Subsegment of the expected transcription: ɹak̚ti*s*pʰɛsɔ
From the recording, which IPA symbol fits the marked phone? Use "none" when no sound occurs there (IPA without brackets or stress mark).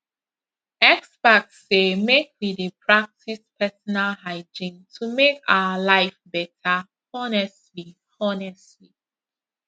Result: s